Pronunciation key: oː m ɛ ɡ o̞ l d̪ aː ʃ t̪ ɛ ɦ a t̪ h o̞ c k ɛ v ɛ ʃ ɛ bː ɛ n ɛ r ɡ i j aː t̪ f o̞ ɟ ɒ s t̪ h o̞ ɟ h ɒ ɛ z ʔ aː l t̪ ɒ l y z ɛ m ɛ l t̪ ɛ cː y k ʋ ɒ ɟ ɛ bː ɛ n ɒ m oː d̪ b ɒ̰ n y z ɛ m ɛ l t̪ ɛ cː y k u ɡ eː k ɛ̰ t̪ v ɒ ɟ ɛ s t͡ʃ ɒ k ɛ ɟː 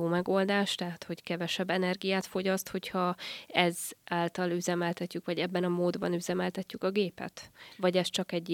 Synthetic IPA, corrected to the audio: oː m ɛ ɡ o̞ l d̪ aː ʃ t̪ ɛ ɦ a t̪ h o̞ c k ɛ v ɛ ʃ ɛ bː ɛ n ɛ r ɡ i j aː t̪ f o̞ ɟ ɒ s t̪ h o̞ c h ɒ ɛ z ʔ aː l t̪ ɒ l y z ɛ m ɛ l t̪ ɛ cː y k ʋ ɒ ɟ ɛ bː ɛ n ɒ m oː d̪ b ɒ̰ n y z ɛ m ɛ l t̪ ɛ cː y k ɒ ɡ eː p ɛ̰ t̪ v ɒ ɟ ɛ s t͡ʃ ɒ k ɛ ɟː